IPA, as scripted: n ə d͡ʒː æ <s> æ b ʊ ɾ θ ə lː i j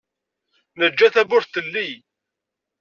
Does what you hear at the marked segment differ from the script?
yes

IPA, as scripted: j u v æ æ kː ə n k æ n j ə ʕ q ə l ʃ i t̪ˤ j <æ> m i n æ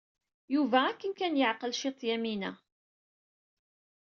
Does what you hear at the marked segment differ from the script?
no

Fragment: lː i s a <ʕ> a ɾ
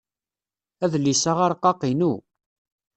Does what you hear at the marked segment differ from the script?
yes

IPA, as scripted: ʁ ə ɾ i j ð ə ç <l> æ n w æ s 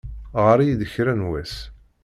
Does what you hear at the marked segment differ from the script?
yes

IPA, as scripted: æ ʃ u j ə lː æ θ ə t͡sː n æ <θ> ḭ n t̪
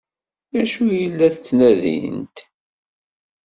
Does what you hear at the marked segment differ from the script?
yes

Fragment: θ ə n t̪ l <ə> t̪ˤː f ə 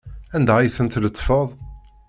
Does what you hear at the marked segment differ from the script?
no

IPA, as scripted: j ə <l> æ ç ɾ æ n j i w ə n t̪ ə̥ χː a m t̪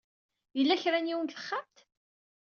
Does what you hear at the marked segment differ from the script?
yes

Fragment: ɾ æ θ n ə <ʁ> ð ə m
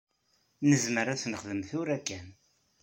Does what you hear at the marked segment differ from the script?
yes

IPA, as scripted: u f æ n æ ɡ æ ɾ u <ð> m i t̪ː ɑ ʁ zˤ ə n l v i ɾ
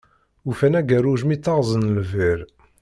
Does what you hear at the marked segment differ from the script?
yes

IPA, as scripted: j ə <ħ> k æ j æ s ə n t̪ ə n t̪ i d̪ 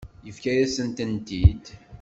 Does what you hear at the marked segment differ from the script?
yes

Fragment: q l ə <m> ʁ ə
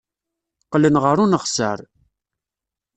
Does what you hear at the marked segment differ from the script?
yes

